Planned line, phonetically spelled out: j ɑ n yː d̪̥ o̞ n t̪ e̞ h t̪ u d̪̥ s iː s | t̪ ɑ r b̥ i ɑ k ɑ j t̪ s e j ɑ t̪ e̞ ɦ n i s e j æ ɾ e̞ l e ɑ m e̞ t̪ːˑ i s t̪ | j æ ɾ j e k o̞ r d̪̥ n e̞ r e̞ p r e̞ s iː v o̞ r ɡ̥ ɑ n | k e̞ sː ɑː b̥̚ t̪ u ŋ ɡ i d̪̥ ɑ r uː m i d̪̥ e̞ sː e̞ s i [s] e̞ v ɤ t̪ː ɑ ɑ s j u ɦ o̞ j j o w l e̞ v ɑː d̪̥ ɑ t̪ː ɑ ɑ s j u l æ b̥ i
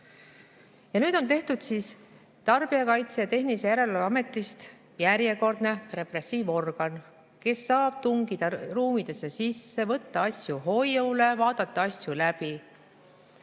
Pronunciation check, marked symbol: incorrect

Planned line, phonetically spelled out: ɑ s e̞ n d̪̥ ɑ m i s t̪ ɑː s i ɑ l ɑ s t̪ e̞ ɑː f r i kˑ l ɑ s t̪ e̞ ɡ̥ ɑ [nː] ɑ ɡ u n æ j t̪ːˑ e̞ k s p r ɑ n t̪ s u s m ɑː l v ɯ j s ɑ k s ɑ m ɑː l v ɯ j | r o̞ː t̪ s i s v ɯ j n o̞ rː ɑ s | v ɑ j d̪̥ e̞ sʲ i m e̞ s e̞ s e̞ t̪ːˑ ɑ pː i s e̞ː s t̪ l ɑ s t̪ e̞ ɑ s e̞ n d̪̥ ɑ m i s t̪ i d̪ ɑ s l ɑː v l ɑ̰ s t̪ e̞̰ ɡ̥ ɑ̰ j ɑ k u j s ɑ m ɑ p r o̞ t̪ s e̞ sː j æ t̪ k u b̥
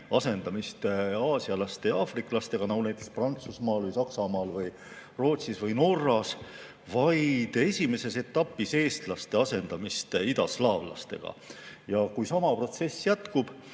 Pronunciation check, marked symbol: incorrect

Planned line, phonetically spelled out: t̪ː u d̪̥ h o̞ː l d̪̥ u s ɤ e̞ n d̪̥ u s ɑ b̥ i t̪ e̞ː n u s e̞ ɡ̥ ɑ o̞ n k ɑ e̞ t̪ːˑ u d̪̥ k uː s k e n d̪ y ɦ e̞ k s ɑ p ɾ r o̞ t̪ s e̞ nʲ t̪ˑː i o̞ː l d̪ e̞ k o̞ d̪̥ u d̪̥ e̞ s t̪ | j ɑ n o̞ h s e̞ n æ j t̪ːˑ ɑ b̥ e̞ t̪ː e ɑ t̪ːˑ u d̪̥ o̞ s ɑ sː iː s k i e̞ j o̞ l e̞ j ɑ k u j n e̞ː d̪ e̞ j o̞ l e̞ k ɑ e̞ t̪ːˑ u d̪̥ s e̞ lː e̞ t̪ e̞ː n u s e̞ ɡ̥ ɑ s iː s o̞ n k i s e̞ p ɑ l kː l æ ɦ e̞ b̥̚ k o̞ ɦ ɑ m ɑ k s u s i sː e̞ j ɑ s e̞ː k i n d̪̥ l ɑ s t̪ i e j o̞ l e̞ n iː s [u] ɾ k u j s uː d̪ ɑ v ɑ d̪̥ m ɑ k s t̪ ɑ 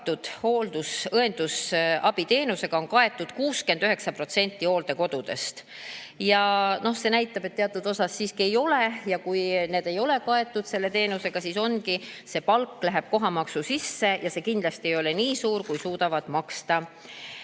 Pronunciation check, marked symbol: incorrect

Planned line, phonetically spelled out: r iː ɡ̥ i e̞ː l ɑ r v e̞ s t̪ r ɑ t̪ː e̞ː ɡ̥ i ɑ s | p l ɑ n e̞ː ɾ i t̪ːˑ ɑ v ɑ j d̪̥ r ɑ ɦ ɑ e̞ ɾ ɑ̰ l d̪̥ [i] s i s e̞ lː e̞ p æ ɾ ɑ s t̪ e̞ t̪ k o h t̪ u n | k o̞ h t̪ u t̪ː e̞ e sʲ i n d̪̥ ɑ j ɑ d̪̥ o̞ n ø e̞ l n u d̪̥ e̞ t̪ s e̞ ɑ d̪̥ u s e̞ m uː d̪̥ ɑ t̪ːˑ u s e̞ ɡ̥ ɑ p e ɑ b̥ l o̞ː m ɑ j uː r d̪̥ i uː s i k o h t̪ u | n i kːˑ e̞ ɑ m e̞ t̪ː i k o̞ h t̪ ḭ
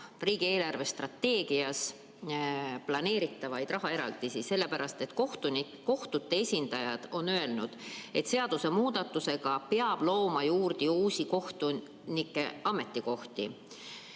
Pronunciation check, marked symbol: correct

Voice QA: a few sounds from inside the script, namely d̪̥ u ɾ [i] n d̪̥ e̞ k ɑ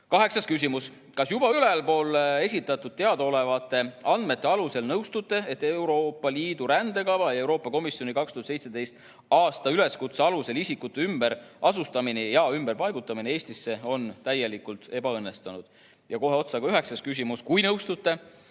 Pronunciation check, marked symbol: incorrect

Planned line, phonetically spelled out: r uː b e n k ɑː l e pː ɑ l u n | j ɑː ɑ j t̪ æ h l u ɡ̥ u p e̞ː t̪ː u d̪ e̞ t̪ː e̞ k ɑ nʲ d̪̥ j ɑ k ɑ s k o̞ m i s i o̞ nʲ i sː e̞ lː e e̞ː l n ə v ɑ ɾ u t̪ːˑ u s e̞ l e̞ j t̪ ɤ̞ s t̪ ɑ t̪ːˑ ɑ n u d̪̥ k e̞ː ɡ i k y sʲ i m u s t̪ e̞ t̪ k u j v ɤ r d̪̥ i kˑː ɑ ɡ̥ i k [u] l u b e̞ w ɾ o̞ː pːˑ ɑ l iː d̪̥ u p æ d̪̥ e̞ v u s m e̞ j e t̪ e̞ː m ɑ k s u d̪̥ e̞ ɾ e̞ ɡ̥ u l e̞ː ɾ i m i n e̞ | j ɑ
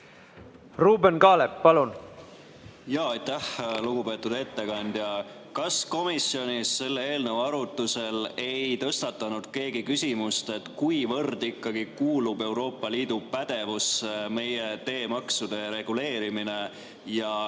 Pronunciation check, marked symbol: incorrect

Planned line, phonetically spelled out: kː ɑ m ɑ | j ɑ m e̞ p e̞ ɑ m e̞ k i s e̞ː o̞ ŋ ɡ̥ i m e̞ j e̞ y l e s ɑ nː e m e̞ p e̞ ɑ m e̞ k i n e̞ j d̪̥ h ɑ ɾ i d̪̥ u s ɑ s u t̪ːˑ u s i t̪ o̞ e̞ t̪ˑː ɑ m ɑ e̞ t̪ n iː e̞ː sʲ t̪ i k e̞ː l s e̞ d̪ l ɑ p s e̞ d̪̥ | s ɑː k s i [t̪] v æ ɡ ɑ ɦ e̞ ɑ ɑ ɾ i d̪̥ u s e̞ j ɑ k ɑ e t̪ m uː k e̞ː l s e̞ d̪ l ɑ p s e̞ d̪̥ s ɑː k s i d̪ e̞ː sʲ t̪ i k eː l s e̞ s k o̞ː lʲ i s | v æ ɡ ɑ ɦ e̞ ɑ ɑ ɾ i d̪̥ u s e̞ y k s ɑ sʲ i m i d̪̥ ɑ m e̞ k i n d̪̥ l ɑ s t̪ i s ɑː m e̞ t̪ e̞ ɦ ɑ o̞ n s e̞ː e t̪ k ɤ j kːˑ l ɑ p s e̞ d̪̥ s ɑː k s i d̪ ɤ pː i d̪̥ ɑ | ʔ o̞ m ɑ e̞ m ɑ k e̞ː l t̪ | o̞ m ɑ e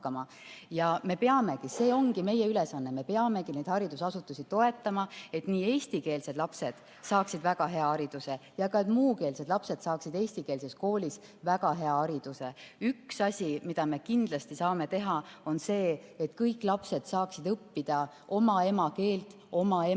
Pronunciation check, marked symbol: incorrect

